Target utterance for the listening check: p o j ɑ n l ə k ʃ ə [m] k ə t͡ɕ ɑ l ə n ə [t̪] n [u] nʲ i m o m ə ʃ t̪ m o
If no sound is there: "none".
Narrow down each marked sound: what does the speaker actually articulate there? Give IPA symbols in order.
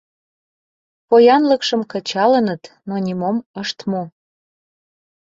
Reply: m, t̪, o

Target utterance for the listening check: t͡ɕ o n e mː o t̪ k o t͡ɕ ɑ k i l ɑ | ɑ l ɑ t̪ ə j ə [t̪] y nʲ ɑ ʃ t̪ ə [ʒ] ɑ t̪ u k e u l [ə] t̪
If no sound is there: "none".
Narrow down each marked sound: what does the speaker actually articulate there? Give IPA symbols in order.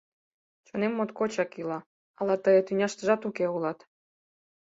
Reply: t̪, ʒ, ɑ

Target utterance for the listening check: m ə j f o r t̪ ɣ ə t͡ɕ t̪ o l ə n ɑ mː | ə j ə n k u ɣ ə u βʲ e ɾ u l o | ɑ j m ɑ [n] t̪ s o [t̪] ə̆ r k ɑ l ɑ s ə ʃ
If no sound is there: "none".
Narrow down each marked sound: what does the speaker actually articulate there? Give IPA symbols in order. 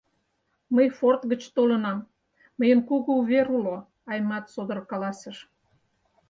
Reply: none, d̪

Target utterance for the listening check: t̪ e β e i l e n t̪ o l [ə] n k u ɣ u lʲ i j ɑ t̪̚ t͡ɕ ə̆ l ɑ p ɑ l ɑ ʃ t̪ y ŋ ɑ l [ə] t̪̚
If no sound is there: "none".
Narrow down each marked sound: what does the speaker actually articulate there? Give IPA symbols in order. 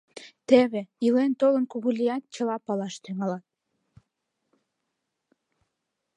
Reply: ə, ɑ

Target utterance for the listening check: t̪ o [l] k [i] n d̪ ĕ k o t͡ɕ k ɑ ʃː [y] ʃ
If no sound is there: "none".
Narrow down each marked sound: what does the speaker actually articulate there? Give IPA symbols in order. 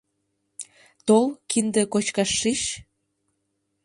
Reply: l, i, i

